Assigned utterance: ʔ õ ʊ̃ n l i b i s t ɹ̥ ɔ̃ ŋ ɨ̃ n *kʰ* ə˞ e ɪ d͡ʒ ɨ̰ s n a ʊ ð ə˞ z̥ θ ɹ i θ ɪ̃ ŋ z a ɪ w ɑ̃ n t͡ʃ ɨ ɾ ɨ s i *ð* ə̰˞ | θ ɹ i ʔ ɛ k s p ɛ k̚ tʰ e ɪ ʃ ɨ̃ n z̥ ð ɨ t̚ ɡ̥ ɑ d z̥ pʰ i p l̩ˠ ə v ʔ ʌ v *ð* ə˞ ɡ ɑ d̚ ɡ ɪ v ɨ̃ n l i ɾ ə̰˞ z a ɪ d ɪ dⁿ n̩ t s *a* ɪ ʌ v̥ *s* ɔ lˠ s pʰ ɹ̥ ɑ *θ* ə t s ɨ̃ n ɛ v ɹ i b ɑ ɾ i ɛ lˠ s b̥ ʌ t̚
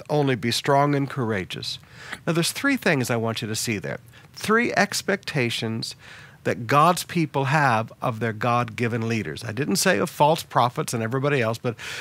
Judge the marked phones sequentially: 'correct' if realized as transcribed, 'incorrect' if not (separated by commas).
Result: correct, correct, correct, incorrect, incorrect, incorrect